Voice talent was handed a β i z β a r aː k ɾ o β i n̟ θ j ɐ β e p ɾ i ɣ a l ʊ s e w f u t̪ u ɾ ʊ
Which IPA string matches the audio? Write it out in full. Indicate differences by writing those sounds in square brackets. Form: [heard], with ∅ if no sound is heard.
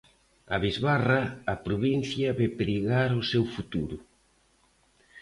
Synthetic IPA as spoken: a β i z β a r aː [p] ɾ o β i n̟ θ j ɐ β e p ɾ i ɣ a [ɾ] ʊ s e w f u t̪ u ɾ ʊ